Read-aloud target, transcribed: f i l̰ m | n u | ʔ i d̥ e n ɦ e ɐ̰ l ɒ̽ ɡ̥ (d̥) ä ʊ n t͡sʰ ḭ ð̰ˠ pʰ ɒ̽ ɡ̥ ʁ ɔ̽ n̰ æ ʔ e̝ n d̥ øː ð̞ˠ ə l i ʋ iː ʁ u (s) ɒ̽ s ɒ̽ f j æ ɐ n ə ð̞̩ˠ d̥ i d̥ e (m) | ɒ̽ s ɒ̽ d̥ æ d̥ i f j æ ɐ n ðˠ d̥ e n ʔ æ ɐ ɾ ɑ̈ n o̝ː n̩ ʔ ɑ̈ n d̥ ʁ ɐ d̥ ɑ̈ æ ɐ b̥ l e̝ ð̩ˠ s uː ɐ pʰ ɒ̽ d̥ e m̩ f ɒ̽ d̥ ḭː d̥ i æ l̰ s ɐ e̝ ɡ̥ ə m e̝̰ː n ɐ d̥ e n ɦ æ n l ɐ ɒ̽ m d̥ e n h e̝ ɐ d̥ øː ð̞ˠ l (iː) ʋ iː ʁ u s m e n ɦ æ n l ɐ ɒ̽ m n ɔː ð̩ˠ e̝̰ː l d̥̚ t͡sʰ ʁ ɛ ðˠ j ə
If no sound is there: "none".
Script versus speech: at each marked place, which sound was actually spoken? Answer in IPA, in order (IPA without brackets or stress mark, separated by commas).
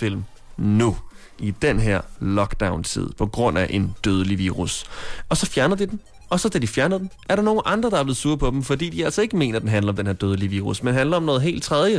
d̥, s, n, i